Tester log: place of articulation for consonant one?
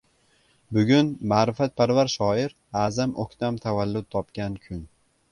labial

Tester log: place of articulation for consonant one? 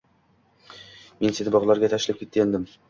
labial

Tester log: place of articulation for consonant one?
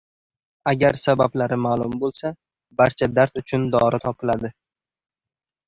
velar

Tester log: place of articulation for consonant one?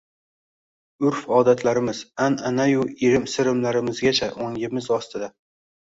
alveolar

